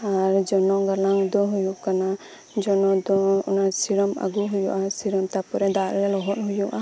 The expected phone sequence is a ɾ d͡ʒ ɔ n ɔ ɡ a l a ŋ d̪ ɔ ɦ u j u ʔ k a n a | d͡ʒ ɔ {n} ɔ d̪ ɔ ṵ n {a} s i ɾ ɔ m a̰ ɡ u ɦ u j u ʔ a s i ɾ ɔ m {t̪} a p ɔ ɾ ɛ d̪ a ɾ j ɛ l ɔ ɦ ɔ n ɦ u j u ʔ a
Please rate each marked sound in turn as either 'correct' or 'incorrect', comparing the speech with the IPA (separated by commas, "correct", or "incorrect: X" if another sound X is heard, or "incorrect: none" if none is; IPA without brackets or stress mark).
correct, correct, correct